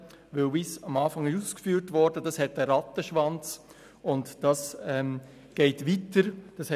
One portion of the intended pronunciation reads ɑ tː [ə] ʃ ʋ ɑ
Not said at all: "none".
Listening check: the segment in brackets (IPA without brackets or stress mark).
ə